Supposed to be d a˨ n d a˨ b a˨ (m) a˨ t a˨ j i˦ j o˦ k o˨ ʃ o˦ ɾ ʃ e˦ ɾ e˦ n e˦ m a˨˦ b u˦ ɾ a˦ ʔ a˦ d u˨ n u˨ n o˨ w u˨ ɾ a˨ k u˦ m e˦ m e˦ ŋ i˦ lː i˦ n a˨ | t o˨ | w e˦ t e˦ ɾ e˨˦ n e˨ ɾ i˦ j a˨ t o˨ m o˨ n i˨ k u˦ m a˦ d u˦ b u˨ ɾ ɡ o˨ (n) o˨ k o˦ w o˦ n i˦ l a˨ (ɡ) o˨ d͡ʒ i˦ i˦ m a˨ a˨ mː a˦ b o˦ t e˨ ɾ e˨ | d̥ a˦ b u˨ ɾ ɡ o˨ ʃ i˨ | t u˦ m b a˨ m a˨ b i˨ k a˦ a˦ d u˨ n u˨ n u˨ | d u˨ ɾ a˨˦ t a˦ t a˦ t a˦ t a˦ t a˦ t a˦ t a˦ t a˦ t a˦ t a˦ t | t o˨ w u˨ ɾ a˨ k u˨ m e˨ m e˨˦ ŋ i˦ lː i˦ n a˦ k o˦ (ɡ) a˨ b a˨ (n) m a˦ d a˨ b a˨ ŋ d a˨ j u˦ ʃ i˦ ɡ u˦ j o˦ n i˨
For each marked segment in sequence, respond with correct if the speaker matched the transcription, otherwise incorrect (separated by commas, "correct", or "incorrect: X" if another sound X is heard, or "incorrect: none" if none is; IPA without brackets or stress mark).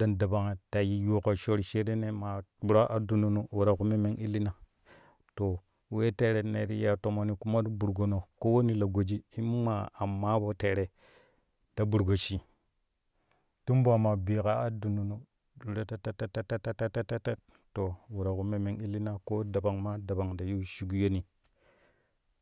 incorrect: ŋ, correct, correct, incorrect: d, incorrect: ŋ